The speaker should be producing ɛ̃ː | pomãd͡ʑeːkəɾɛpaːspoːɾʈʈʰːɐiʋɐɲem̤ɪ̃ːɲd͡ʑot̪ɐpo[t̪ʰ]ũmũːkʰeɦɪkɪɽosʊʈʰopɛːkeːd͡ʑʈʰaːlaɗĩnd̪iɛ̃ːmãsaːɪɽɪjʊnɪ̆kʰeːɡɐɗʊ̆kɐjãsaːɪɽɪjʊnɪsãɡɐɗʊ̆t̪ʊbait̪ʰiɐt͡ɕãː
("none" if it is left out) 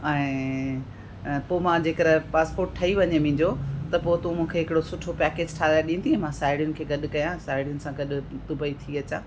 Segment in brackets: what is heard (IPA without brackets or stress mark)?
t̪